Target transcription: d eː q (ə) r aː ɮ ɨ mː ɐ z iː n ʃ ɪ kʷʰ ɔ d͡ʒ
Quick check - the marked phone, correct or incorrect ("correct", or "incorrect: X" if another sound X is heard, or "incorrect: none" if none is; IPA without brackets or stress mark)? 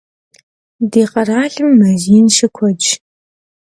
incorrect: ɐ